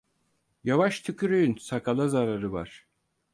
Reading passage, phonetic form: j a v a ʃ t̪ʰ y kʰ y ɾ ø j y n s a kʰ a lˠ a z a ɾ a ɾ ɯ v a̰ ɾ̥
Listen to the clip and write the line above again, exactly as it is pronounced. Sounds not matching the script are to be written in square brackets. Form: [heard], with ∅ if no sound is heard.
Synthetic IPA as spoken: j a v a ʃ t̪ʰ y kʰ y ɾ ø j y n s a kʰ a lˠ a z a ɾ a ɾ ɯ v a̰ ɾ̥